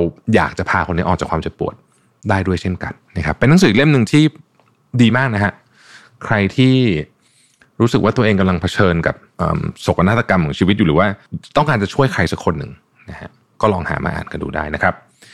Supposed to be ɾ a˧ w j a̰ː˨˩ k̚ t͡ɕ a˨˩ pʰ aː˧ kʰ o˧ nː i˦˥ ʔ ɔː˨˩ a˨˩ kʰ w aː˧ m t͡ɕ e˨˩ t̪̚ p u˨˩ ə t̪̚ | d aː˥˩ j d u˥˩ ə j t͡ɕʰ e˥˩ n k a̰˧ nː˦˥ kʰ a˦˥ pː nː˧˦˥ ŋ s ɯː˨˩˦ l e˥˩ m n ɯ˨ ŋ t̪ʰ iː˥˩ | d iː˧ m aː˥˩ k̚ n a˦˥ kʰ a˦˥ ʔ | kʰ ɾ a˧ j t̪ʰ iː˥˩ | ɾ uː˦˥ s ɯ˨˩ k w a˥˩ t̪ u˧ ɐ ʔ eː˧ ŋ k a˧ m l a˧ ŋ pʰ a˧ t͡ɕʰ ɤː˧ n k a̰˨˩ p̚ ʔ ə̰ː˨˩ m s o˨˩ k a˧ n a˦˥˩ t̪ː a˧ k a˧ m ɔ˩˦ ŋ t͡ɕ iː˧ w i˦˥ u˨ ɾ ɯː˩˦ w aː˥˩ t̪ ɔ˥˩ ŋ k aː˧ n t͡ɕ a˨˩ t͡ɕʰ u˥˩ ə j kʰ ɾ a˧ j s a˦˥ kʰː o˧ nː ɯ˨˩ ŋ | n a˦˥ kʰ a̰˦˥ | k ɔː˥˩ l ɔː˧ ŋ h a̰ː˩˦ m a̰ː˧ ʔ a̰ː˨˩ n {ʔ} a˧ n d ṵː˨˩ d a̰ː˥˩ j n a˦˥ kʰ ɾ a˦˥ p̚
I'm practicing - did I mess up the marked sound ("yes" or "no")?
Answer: yes